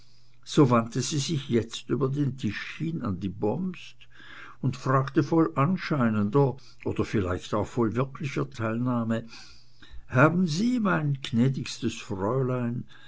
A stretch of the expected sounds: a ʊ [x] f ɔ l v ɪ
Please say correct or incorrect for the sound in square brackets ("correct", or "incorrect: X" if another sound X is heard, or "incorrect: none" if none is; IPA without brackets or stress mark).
correct